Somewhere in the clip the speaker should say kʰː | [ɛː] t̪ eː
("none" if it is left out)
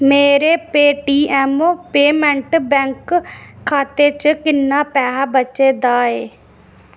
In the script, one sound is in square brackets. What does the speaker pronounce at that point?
aː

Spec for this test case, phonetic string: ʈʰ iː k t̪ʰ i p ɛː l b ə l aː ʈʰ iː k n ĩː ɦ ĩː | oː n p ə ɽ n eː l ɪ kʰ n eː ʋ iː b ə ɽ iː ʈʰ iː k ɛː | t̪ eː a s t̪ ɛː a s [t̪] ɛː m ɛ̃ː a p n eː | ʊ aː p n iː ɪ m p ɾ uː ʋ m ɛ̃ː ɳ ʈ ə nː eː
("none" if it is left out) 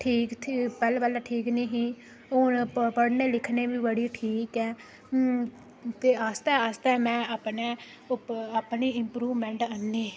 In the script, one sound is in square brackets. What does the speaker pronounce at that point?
t̪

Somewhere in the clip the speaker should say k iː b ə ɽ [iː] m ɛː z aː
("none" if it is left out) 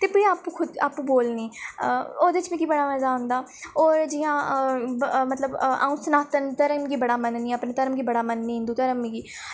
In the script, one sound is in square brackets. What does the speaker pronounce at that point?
aː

